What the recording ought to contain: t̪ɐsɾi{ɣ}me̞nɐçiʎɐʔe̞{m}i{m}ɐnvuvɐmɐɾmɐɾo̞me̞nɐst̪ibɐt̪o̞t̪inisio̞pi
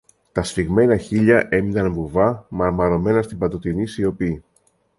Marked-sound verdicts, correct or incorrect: correct, correct, incorrect: n

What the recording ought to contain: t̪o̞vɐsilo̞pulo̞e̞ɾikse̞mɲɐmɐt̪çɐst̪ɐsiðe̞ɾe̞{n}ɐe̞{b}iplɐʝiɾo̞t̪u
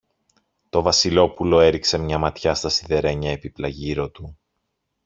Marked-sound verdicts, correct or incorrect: incorrect: ɲ, incorrect: p

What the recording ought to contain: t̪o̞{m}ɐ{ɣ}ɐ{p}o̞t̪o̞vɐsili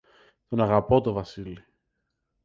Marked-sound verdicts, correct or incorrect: incorrect: n, correct, correct

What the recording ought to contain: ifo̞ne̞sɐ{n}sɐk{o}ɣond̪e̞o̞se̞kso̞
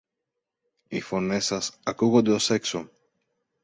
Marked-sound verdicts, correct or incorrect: incorrect: none, incorrect: u

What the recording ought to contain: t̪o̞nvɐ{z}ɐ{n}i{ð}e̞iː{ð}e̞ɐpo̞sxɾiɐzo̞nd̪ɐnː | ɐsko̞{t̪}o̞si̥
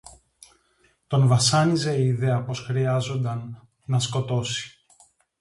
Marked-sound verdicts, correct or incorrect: incorrect: s, correct, incorrect: z, correct, correct

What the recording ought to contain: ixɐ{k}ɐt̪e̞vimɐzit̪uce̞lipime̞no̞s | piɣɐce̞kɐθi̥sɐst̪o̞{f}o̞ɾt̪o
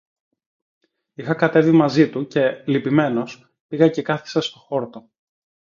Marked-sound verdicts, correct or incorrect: correct, incorrect: x

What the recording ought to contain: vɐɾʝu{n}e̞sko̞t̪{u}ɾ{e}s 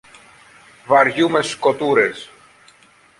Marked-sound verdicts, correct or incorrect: incorrect: m, correct, correct

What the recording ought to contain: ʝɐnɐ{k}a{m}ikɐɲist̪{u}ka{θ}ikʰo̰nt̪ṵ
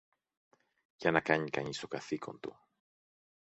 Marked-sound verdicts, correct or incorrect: correct, incorrect: ɲ, incorrect: o, correct

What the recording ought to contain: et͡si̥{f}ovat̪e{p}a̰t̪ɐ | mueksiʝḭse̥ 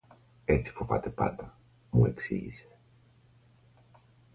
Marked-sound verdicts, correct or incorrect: correct, correct

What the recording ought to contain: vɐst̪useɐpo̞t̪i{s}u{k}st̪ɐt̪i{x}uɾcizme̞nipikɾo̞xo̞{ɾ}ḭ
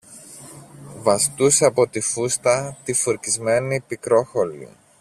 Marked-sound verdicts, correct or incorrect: incorrect: f, incorrect: none, incorrect: f, incorrect: l

